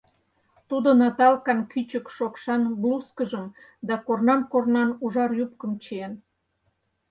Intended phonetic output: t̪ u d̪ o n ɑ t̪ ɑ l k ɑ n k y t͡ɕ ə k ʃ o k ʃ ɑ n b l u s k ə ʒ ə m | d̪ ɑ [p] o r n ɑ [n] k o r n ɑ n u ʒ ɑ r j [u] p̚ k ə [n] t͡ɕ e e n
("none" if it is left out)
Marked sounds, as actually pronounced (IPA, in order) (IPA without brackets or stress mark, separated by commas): k, m, u, m